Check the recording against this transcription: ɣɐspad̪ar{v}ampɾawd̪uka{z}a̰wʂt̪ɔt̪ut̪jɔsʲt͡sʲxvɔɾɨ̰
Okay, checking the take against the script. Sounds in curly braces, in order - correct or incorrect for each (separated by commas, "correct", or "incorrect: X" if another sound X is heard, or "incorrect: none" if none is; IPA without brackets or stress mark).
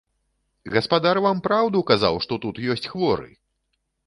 correct, correct